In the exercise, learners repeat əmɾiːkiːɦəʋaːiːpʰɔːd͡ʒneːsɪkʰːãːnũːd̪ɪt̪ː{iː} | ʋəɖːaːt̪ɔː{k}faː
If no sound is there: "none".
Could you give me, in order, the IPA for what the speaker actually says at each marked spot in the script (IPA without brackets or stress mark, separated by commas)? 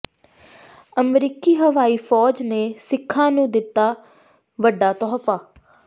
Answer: aː, none